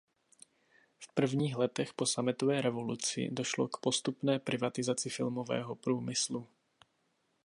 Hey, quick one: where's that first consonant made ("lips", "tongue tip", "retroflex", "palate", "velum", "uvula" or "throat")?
lips